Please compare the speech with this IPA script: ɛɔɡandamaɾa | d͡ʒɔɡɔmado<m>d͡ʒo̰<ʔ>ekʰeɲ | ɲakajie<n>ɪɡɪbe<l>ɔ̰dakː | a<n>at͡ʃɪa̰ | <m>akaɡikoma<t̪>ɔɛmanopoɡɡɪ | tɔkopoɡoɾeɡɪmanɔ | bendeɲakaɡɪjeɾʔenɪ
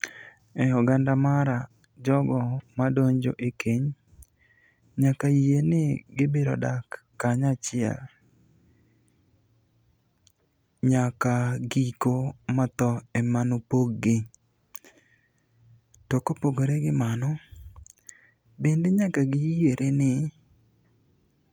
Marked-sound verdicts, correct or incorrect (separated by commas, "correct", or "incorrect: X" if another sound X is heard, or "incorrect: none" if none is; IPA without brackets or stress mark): incorrect: ɲ, correct, correct, incorrect: ɾ, incorrect: ɲ, incorrect: ɲ, correct